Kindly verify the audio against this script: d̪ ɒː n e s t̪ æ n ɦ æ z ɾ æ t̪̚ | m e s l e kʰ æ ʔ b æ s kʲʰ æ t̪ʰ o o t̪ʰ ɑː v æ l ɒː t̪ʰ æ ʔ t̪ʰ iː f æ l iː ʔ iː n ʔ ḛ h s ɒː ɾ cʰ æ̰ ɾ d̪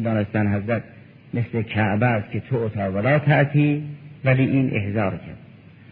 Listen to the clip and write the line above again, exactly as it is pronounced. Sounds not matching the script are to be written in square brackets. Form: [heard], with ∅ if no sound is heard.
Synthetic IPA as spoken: d̪ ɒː n e s t̪ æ n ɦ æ z ɾ æ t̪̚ | m e s l e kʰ æ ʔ b æ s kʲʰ [e] t̪ʰ o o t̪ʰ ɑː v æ l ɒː t̪ʰ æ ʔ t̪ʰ iː [v] æ l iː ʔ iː n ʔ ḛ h [z] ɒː ɾ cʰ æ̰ ɾ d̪